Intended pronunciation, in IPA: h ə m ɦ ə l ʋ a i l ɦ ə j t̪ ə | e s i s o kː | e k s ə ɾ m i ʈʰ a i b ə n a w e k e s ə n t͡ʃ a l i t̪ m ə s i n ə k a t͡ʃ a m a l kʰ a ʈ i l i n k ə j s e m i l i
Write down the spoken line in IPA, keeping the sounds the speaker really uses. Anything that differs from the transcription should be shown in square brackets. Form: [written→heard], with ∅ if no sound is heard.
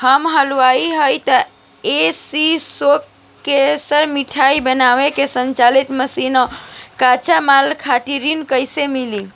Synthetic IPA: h ə m ɦ ə l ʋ a i [l→∅] ɦ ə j t̪ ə | e s i s o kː | e [k→∅] s ə ɾ m i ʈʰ a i b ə n a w e k e s ə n t͡ʃ a l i t̪ m ə s i n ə k a t͡ʃ a m a l kʰ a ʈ i [l→ɾ] i n k ə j s e m i l i